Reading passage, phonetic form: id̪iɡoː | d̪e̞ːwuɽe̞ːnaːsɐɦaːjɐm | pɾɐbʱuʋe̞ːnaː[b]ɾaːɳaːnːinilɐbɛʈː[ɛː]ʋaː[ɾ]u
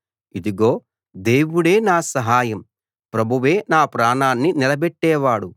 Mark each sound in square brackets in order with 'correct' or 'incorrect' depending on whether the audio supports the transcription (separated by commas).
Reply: incorrect, correct, incorrect